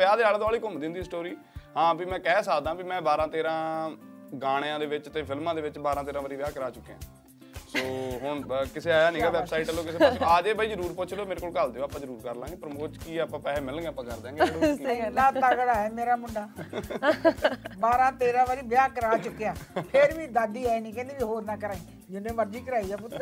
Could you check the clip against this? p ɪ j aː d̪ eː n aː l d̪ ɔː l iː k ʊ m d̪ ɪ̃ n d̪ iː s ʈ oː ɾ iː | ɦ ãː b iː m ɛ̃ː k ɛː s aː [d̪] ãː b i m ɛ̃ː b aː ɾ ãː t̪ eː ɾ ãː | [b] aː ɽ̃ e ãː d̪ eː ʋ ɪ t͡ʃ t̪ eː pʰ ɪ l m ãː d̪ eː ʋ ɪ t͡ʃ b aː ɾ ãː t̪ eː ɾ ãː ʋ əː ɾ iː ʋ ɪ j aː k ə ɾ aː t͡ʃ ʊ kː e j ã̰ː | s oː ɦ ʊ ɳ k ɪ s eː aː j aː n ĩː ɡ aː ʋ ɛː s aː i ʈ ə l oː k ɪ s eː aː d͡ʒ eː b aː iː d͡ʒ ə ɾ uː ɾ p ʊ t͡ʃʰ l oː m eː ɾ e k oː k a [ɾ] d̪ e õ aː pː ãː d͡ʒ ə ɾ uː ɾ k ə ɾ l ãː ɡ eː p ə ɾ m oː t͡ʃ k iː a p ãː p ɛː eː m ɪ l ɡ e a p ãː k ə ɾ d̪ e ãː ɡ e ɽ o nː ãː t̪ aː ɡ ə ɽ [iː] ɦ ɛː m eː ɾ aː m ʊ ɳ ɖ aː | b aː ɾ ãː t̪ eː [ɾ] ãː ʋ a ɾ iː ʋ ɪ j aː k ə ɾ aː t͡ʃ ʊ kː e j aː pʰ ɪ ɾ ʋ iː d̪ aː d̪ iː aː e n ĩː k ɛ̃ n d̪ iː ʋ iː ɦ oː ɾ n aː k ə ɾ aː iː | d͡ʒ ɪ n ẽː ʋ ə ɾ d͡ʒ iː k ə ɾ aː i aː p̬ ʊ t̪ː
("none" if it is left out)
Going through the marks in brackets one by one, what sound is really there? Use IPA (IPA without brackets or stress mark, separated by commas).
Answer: d̪, ɡ, l, aː, ɾ